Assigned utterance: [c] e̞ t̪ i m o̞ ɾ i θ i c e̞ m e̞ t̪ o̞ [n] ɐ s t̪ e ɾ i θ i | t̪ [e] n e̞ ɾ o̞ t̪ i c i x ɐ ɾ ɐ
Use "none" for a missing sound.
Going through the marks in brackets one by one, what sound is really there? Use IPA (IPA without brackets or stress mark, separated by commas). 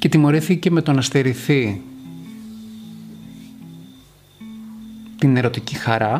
c, n, i